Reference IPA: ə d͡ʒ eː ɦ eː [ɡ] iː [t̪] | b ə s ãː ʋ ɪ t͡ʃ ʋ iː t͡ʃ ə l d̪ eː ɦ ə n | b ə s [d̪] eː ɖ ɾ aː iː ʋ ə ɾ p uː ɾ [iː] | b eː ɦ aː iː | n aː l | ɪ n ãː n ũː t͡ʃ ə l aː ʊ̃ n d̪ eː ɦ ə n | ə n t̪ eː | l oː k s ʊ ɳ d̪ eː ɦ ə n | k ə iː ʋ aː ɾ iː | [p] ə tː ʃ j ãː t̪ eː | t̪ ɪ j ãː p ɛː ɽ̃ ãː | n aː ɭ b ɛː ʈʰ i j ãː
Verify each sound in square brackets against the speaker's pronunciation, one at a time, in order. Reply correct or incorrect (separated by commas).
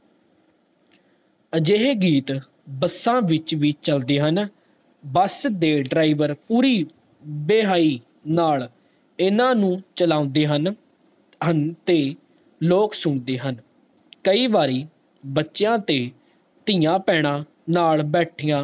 correct, correct, correct, correct, incorrect